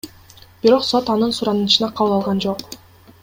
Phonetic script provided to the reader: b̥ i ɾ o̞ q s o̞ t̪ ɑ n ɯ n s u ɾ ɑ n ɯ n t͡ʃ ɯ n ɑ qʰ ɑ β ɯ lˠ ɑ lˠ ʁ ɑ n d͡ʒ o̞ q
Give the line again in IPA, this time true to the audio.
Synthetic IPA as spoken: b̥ i ɾ o̞ q s o̞ t̪ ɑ n ɯ n s u ɾ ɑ n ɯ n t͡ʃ ɯ n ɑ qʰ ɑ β ɯ lˠ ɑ lˠ ʁ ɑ n d͡ʒ o̞ q